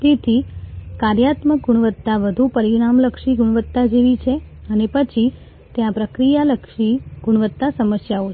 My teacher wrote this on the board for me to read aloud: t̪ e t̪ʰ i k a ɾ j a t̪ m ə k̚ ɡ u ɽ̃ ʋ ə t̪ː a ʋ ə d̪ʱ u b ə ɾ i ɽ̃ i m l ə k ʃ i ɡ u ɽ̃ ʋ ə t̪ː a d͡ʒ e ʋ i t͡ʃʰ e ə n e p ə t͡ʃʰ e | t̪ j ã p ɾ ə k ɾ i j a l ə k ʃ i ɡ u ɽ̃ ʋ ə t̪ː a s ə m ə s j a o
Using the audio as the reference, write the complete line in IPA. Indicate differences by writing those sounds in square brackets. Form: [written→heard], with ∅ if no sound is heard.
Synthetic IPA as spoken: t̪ e t̪ʰ i k a ɾ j a t̪ m ə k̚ ɡ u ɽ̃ ʋ ə t̪ː a ʋ ə d̪ʱ u [b→p] ə ɾ i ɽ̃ [i→a] m l ə k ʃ i ɡ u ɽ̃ ʋ ə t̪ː a d͡ʒ e ʋ i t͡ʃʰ e ə n e p ə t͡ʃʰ [e→i] | t̪ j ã p ɾ ə k ɾ i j a l ə k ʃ i ɡ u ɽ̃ ʋ ə t̪ː a s ə m ə s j a o